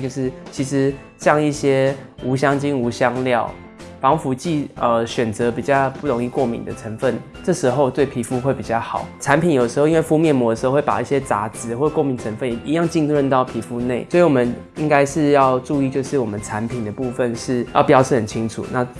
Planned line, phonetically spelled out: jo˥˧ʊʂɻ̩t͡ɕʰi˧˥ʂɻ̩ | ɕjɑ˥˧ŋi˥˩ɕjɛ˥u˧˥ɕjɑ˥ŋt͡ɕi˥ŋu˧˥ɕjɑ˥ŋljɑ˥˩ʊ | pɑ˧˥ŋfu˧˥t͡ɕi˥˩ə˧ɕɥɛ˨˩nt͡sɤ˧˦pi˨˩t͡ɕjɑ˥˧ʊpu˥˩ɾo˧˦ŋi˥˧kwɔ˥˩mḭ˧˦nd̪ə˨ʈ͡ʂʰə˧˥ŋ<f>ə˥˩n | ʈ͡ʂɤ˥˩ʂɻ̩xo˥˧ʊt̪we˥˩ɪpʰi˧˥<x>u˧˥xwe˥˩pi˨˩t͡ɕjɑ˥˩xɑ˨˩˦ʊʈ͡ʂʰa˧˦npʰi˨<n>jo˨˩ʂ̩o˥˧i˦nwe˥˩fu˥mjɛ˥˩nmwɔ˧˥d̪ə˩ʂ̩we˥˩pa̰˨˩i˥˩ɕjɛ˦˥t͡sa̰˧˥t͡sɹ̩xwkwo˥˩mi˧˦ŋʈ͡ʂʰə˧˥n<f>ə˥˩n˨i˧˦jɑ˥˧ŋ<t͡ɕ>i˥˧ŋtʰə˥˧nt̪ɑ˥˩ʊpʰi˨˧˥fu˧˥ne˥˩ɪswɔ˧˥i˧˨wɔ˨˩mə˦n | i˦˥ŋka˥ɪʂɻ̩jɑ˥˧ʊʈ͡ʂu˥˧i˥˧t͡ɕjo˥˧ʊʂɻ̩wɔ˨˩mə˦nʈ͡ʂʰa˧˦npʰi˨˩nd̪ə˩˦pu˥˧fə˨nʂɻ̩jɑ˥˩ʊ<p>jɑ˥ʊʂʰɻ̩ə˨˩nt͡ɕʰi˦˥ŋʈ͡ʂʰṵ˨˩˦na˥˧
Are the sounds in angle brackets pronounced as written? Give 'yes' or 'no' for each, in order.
yes, no, yes, yes, yes, yes

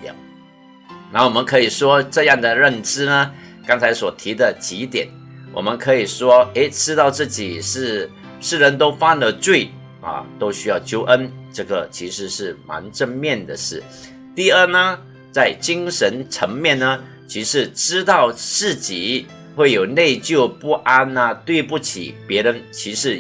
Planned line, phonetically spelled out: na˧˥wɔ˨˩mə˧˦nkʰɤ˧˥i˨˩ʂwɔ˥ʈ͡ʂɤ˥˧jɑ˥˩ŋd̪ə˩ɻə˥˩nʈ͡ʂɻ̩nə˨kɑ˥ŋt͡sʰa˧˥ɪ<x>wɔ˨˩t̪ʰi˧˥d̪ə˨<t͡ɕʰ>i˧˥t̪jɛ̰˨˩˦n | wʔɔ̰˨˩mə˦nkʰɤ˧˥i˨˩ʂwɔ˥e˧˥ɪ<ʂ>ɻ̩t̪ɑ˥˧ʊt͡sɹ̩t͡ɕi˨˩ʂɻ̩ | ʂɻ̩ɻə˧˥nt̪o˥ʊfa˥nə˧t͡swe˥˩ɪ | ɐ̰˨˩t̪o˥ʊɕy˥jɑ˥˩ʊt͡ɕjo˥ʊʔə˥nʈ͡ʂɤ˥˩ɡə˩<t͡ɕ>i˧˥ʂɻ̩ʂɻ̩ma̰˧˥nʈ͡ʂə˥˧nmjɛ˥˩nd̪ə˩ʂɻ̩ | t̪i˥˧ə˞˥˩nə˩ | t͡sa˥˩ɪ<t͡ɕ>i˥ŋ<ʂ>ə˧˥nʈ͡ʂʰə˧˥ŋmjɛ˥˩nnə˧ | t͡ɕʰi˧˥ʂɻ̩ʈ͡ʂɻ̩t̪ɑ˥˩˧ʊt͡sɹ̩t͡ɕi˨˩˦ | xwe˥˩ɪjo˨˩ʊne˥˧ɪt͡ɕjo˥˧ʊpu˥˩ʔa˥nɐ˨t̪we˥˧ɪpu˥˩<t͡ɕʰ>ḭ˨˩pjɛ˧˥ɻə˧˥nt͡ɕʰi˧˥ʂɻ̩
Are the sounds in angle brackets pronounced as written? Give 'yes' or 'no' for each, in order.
no, no, no, no, yes, yes, yes

